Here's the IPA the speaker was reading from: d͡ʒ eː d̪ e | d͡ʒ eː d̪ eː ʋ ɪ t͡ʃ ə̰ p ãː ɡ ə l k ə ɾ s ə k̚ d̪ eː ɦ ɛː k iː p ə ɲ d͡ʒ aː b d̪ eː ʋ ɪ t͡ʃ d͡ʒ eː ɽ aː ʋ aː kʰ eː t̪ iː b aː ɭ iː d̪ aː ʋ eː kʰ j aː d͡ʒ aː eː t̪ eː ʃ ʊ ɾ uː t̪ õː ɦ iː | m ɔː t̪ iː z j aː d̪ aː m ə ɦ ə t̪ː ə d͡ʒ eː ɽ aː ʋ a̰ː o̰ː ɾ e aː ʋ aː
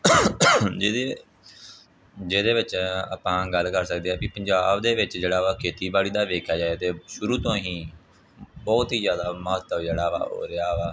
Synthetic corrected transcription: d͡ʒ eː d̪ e | d͡ʒ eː d̪ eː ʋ ɪ t͡ʃ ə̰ p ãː ɡ ə l k ə ɾ s ə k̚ d̪ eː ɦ ɛː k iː p ə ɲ d͡ʒ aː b d̪ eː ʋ ɪ t͡ʃ d͡ʒ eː ɽ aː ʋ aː kʰ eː t̪ iː b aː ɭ iː d̪ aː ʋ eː kʰ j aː d͡ʒ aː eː t̪ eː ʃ ʊ ɾ uː t̪ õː ɦ iː | b ɔː t̪ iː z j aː d̪ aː m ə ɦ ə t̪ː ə d͡ʒ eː ɽ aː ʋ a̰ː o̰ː ɾ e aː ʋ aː